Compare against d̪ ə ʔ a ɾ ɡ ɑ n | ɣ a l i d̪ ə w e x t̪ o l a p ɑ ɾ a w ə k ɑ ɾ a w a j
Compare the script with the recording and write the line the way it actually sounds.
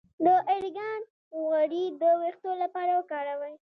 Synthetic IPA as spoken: d̪ ə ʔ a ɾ ɡ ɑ n | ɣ a ɽ i d̪ ə w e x t̪ o l a p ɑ ɾ a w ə k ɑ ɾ a w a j